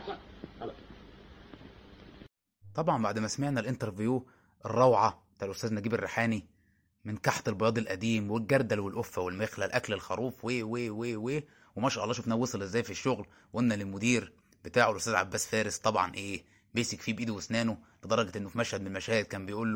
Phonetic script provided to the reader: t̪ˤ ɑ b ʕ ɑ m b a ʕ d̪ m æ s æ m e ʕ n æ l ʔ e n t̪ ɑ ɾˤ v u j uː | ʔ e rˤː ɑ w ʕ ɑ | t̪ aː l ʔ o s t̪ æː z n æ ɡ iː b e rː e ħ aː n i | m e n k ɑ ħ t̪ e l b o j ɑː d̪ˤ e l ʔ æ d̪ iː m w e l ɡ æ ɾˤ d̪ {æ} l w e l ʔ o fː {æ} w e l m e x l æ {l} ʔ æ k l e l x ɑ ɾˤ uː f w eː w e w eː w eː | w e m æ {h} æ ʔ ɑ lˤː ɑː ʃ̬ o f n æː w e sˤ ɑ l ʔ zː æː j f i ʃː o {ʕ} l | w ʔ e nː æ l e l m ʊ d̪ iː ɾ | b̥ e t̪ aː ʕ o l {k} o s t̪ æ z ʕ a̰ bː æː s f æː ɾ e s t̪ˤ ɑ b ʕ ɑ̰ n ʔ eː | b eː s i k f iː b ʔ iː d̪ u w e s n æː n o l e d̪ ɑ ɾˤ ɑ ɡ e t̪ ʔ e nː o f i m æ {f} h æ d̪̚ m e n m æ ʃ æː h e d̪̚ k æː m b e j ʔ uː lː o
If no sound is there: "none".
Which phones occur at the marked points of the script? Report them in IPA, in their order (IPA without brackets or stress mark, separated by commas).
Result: æ, æ, l, ʃ, ɣ, ʔ, ʃ